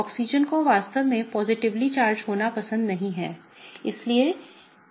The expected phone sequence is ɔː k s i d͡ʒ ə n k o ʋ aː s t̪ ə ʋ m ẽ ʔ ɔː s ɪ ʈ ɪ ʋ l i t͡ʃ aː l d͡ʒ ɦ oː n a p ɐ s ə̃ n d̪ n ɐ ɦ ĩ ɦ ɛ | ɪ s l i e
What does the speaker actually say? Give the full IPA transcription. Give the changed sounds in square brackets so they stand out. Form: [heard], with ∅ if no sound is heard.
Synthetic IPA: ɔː k s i d͡ʒ ə n k o ʋ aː s t̪ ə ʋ m ẽ [p] ɔː [z] ɪ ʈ ɪ ʋ l i t͡ʃ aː [ɾ] d͡ʒ ɦ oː n a p ɐ s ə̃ n d̪ n ɐ ɦ ĩ ɦ [ɛː] | ɪ s l i e